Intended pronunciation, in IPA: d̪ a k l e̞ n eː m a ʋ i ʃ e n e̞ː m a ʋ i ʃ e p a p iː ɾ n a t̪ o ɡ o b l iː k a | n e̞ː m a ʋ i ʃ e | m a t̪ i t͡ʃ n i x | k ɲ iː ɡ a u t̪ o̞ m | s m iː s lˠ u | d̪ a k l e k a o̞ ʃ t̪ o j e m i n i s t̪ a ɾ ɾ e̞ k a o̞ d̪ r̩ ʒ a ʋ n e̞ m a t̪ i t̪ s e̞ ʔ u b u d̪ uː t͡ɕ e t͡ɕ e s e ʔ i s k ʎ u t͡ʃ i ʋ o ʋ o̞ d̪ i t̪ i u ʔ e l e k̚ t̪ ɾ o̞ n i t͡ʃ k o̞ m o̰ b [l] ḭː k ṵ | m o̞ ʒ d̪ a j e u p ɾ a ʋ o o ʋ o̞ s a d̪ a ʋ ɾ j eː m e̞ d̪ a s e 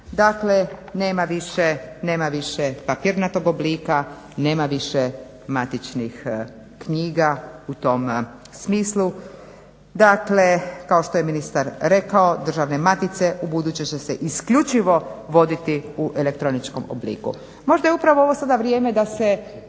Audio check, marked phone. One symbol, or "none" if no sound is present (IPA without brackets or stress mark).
l